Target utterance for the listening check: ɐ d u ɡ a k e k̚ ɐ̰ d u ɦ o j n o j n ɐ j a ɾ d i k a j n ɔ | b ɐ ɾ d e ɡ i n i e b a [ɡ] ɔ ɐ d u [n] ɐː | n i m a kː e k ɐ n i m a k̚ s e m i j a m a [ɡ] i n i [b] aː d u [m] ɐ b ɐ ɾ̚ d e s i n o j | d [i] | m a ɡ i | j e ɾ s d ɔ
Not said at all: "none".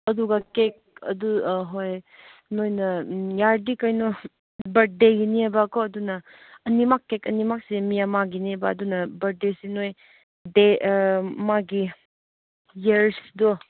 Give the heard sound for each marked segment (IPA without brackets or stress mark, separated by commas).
k, n, ɡ, b, n, e